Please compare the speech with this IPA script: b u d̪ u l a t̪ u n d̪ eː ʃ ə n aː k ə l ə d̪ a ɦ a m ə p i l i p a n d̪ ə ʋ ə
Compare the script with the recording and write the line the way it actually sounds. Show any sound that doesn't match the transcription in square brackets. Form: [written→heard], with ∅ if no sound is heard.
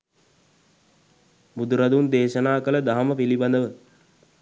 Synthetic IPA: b u d̪ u [l→ɾ] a [t̪→d̪] u n d̪ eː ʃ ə n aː k ə l ə d̪ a ɦ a m ə p i l i [p→b] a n d̪ ə ʋ ə